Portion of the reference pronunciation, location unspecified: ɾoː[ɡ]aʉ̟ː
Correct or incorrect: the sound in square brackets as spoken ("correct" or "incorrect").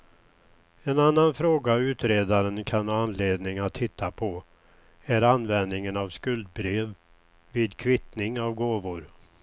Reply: correct